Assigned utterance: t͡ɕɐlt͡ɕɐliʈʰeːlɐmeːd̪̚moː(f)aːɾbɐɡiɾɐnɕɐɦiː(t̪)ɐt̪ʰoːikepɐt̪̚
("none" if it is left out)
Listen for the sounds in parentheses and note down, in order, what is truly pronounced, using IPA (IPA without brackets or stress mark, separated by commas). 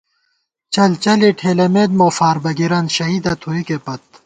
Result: f, d̪